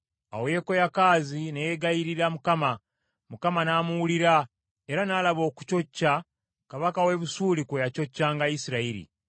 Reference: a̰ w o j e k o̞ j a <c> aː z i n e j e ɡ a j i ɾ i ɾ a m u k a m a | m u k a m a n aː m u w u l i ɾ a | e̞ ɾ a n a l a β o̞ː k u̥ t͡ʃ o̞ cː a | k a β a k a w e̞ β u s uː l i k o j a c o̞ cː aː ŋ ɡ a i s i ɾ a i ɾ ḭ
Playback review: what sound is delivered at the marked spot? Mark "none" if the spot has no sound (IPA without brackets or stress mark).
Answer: k